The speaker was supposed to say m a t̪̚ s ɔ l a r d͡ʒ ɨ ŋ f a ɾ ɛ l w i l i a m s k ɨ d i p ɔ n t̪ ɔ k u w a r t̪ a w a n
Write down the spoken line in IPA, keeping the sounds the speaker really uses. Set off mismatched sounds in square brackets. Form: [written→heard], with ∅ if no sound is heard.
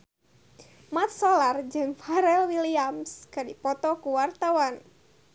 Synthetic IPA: m a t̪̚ s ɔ l a r d͡ʒ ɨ ŋ f a ɾ ɛ l w i l i a m s k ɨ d i p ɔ [n→∅] t̪ ɔ k u w a r t̪ a w a n